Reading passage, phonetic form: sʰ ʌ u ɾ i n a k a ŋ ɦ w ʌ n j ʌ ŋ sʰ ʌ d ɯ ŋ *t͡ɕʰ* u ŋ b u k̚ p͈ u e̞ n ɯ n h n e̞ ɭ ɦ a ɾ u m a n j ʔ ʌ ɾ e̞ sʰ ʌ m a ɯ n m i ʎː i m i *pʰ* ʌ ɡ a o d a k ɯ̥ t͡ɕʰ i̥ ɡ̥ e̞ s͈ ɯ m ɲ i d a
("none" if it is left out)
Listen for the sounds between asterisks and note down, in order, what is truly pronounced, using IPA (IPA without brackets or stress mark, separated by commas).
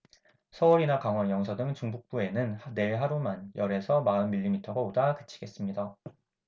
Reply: t͡ɕ, tʰ